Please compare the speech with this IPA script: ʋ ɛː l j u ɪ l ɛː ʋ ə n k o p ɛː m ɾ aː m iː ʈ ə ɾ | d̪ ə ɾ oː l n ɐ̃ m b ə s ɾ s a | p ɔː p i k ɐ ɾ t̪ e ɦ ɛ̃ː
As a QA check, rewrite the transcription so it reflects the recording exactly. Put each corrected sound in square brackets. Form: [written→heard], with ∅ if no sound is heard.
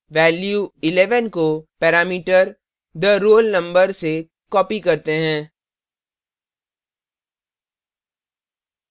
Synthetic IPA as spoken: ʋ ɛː l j u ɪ l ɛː ʋ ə n k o p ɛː [m→∅] ɾ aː m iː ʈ ə ɾ | d̪ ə ɾ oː l n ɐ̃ m b ə [s→∅] ɾ s [a→e] | [p→k] ɔː p i k ɐ ɾ t̪ e ɦ ɛ̃ː

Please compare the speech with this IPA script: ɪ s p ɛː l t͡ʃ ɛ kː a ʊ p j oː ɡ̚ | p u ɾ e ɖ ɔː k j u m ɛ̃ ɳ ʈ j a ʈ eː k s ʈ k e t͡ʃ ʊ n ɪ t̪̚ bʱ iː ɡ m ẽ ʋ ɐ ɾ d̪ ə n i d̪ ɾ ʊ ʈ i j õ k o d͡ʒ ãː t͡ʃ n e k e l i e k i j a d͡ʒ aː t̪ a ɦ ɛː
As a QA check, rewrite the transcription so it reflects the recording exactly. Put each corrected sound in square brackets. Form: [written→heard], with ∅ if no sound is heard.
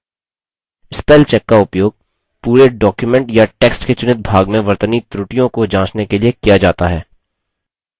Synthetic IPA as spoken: ɪ s p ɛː l t͡ʃ ɛ kː a ʊ p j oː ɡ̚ | p [u→uː] ɾ e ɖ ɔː k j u m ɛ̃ ɳ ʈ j a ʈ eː k s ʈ k e t͡ʃ ʊ n ɪ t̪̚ bʱ [iː→aː] ɡ m ẽ ʋ ɐ ɾ [d̪→t̪] ə n i [d̪→t̪] ɾ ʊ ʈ i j õ k o d͡ʒ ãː t͡ʃ n e k e l i e k i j a d͡ʒ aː t̪ a ɦ ɛː

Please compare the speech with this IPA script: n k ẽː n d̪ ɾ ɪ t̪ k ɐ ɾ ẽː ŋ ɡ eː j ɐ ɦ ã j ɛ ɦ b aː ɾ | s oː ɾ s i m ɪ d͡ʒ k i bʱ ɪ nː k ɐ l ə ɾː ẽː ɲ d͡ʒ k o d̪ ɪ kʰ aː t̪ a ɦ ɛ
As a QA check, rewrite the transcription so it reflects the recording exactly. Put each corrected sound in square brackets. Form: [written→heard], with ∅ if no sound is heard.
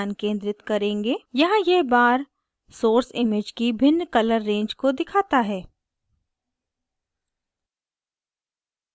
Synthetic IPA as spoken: n k ẽː n d̪ ɾ ɪ t̪ k ɐ ɾ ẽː ŋ ɡ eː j ɐ ɦ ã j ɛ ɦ b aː ɾ | s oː ɾ s [i→ɪ] m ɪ d͡ʒ k i bʱ ɪ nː k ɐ l ə ɾː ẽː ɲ d͡ʒ k o d̪ ɪ kʰ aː t̪ a ɦ [ɛ→ɛː]

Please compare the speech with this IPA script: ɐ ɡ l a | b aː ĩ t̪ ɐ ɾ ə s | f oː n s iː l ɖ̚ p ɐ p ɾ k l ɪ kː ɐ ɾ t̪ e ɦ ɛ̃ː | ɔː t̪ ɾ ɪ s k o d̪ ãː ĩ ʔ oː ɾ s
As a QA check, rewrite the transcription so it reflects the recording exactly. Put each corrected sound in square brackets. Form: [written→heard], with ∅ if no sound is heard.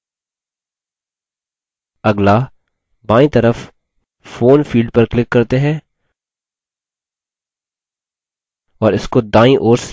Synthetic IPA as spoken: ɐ ɡ l a | b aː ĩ t̪ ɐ ɾ ə [s→f] | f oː n [s→f] iː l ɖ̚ p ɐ [p→∅] ɾ k l ɪ kː ɐ ɾ t̪ e ɦ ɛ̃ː | ɔː [t̪→∅] ɾ ɪ s k o d̪ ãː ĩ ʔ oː ɾ s

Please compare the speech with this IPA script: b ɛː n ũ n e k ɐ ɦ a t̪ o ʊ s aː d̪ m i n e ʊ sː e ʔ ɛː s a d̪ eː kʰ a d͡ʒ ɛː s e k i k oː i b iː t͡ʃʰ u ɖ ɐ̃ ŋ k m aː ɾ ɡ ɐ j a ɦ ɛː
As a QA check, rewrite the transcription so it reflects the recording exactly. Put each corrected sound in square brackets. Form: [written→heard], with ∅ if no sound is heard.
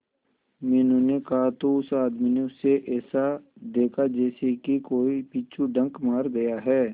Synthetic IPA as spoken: [b→m] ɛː n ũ n e k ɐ ɦ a t̪ o ʊ s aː d̪ m i n e ʊ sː e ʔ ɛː s a d̪ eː kʰ a d͡ʒ ɛː s e k i k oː i [b→p] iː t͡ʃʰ u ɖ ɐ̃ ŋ k m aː ɾ ɡ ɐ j a ɦ ɛː

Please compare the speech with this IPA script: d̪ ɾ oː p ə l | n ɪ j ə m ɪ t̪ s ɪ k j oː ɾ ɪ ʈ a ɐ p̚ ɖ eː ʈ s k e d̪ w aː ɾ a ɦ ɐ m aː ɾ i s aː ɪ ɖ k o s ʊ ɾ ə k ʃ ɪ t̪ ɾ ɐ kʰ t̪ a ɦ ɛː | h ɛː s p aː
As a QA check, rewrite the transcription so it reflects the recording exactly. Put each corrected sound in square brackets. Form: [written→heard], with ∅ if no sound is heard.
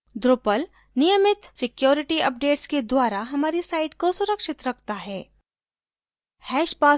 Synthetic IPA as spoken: d̪ ɾ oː p ə l | n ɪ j ə m ɪ t̪ s ɪ k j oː ɾ ɪ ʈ [a→i] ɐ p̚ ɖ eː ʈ s k e d̪ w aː ɾ a ɦ ɐ m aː ɾ i s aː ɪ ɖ k o s ʊ ɾ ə k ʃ ɪ t̪ ɾ ɐ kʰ t̪ a ɦ ɛː | h ɛː [s→ʃ] p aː

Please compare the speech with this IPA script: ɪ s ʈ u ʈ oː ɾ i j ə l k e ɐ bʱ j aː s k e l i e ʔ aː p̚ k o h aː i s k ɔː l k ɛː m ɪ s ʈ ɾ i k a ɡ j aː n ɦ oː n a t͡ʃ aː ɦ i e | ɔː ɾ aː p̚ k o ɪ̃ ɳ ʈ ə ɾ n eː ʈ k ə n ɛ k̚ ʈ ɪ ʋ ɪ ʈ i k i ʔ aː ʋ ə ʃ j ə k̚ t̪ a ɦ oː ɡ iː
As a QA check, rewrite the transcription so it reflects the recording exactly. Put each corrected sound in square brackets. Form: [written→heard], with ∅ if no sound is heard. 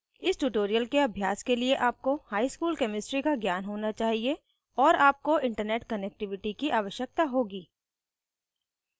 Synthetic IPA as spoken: ɪ s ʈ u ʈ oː ɾ i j ə l k e ɐ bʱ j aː s k e l i e ʔ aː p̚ k o h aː i s k [ɔː→uː] l k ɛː m ɪ s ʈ ɾ i k a ɡ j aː n ɦ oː n a t͡ʃ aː ɦ i e | ɔː ɾ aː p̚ k o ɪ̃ ɳ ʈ ə ɾ n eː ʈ k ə n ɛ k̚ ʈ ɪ ʋ ɪ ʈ i k i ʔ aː ʋ ə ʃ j ə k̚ t̪ a ɦ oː ɡ iː

